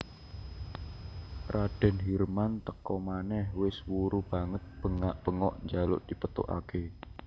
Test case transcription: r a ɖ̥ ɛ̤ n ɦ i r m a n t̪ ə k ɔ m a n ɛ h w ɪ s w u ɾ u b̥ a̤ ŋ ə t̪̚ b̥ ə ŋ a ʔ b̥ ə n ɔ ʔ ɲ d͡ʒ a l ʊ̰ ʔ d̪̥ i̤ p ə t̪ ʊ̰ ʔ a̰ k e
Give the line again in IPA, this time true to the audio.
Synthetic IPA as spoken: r a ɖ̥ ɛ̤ n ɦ i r m a n t̪ ə k ɔ m a n ɛ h w ɪ s w u ɾ u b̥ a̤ ŋ ə t̪̚ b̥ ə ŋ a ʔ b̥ ə ŋ ɔ ʔ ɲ d͡ʒ a l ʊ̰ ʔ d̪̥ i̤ p ə t̪ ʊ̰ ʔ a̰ k e